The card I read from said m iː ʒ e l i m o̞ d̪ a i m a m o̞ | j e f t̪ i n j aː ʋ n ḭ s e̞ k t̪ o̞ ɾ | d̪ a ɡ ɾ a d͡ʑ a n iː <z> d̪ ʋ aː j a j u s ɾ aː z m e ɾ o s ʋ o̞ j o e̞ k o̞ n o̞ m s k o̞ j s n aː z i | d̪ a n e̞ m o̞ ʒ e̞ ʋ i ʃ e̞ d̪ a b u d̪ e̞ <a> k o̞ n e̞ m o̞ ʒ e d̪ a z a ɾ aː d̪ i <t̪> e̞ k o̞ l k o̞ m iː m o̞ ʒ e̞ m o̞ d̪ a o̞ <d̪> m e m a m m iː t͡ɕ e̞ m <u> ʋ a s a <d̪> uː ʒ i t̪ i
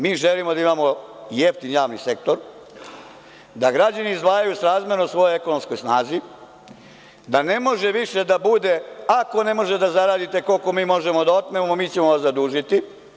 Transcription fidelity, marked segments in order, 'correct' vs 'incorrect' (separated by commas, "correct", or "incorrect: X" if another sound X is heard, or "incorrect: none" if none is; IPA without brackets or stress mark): correct, correct, correct, incorrect: t̪, incorrect: o, correct